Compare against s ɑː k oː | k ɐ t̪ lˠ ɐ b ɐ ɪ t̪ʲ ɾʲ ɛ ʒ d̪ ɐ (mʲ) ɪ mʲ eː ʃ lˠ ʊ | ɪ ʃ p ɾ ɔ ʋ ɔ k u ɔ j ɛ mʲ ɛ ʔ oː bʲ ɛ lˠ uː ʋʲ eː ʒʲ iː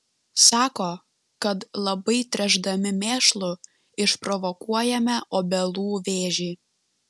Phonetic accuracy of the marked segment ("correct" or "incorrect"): correct